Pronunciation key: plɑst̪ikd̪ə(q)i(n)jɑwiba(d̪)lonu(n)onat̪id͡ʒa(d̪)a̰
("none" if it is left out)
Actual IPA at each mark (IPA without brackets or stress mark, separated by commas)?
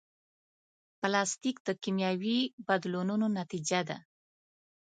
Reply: k, m, d̪, n, d̪